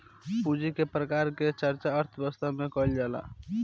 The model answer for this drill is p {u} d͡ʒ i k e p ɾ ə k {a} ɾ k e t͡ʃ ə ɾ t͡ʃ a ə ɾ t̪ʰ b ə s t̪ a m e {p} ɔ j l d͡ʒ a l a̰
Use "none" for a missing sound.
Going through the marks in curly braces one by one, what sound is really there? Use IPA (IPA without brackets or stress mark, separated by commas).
u, a, k